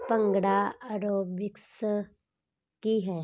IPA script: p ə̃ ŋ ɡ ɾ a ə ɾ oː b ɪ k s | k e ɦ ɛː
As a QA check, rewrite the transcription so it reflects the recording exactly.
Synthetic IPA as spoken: p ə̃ ŋ ɡ ɽ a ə ɾ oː b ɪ k s | k i ɦ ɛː